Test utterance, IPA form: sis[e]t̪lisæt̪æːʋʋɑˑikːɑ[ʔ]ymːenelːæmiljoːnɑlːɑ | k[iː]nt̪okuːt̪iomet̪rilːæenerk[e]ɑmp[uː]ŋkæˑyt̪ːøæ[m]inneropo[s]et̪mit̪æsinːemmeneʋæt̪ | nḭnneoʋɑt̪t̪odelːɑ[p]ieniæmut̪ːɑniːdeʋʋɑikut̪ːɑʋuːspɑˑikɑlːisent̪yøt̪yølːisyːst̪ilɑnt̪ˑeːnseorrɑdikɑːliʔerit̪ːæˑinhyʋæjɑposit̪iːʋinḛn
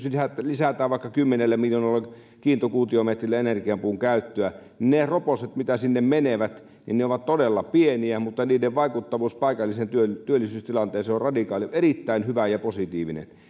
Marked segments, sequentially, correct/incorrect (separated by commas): incorrect, incorrect, correct, incorrect, correct, incorrect, correct, correct